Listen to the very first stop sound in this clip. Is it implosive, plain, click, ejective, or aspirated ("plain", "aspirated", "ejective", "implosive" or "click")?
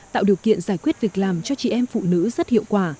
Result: plain